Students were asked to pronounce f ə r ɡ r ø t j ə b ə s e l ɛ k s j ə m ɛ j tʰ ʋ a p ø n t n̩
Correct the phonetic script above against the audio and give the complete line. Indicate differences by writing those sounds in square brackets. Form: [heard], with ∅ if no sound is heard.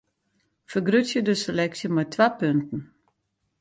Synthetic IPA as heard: f ə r ɡ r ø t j ə [d] ə s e l ɛ k s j ə m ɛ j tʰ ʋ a p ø n t n̩